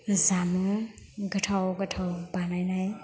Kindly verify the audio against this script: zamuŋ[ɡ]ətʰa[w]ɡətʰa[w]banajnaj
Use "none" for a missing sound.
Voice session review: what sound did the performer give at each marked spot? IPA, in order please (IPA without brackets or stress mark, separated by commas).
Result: ɡ, w, w